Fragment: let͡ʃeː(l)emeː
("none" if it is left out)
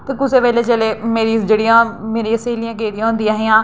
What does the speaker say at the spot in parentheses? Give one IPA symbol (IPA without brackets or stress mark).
l